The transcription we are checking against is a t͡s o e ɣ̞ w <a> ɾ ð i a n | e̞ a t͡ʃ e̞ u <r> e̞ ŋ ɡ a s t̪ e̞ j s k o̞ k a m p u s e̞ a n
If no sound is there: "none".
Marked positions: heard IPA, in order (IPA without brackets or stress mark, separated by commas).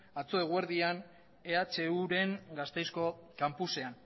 e, ɾ